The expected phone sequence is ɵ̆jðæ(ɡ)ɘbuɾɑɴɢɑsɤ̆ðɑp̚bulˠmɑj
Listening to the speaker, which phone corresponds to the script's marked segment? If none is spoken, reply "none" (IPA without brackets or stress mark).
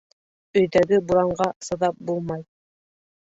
ɡ